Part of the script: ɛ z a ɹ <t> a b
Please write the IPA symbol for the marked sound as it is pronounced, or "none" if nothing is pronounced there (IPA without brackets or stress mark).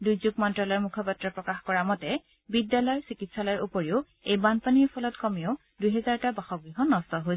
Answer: t